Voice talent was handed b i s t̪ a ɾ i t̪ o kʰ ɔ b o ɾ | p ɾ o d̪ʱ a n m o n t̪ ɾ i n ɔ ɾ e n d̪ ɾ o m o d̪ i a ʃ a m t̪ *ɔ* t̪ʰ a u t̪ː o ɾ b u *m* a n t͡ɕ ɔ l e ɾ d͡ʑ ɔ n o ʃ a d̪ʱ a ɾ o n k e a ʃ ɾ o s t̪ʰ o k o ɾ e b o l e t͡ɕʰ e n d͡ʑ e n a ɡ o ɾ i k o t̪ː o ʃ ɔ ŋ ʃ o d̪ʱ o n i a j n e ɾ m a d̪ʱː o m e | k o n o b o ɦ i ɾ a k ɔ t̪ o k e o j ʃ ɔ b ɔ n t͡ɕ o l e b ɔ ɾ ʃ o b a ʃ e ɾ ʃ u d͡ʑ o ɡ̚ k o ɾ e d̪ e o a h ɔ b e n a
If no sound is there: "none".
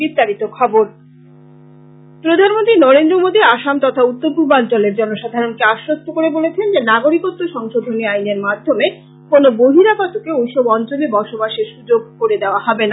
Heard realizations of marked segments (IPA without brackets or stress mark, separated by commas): ɔ, b